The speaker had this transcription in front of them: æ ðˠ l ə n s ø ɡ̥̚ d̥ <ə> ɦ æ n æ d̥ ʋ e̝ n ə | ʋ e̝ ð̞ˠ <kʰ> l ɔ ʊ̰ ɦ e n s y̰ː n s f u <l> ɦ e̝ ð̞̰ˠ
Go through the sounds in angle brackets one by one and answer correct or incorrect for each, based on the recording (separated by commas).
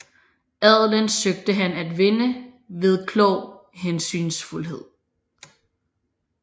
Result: correct, correct, correct